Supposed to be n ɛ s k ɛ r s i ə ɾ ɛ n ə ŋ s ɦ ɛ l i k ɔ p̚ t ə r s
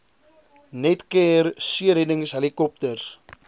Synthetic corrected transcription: n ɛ t k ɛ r s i ə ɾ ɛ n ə ŋ s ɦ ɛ l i k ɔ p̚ t ə r s